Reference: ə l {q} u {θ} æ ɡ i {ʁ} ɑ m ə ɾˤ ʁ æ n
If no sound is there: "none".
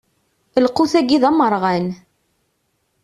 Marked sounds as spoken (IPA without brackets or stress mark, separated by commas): q, θ, ð